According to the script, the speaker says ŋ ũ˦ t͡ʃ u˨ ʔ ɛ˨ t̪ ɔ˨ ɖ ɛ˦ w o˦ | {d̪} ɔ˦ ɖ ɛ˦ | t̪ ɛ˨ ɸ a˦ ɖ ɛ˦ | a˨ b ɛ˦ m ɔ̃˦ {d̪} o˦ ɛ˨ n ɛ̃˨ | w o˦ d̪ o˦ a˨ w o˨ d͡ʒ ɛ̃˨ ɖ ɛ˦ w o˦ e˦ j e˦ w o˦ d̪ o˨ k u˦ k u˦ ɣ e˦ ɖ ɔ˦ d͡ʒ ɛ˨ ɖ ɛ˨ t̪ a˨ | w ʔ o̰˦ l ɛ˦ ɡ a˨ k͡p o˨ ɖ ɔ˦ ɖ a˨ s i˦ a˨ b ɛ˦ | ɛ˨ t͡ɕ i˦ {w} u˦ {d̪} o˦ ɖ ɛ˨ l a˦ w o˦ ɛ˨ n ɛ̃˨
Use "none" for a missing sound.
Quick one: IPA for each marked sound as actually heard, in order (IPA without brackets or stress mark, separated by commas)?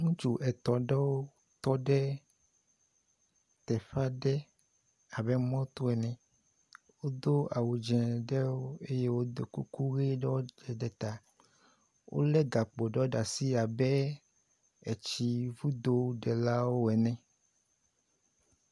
t̪, t̪, v, d̪